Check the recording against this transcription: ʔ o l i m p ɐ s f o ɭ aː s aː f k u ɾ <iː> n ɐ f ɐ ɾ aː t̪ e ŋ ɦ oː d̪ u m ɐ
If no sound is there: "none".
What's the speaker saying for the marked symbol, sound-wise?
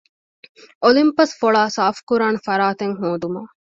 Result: aː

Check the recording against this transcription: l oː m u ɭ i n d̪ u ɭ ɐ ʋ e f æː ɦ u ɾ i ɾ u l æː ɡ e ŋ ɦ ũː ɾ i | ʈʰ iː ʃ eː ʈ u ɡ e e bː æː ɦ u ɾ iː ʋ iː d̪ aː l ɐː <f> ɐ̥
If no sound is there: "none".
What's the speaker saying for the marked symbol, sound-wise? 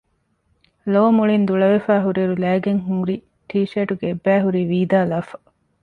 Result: f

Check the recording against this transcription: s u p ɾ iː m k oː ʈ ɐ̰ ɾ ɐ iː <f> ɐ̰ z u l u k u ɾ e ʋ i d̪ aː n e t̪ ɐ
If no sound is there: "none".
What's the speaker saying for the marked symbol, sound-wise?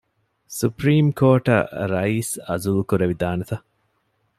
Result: s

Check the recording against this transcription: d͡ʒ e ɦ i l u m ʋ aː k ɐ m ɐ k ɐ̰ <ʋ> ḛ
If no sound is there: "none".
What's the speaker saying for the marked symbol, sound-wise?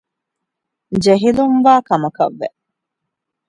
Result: ʋː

